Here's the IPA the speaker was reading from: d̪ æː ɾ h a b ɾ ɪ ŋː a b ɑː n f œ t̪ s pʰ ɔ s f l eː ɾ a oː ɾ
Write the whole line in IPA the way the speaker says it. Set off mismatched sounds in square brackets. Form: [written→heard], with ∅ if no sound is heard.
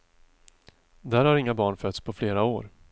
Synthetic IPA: d̪ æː ɾ h a [b→∅] ɾ ɪ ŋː a b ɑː [n→ɳ] f œ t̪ s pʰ ɔ [s→∅] f l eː ɾ a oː ɾ